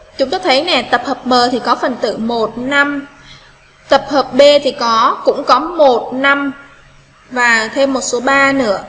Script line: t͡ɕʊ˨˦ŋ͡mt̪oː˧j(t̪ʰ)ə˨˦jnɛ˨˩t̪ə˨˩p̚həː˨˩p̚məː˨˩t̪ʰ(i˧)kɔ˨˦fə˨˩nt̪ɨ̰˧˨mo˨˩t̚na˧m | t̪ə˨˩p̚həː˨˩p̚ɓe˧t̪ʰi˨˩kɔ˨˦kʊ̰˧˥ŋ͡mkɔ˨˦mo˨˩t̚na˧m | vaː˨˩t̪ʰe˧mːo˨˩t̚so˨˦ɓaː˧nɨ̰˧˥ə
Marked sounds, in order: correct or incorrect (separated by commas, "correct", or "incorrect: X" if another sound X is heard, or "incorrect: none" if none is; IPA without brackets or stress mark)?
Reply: correct, incorrect: i˨˩